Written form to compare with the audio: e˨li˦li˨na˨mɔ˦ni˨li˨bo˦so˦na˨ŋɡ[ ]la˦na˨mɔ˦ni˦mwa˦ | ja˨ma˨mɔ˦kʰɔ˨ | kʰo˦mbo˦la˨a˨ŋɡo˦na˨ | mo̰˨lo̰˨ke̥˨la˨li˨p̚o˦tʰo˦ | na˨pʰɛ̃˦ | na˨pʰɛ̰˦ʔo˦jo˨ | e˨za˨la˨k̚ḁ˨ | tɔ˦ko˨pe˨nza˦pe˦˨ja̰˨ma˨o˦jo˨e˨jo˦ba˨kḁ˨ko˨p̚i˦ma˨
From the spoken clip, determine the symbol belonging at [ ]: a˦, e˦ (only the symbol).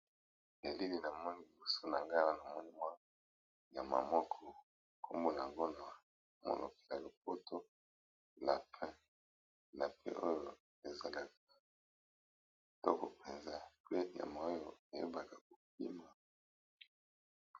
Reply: a˦